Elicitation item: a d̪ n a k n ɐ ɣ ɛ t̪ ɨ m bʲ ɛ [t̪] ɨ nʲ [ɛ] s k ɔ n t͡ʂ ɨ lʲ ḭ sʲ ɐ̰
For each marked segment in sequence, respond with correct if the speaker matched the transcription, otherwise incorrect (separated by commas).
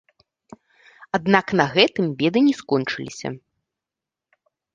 incorrect, correct